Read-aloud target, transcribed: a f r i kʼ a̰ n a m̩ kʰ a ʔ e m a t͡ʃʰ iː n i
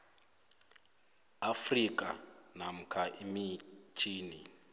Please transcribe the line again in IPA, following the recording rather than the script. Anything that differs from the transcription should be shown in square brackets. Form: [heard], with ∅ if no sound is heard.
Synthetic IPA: a f r i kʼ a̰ n a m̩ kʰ a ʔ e m [i] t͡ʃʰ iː n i